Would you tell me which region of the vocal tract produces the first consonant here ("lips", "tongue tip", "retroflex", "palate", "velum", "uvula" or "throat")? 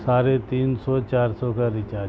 tongue tip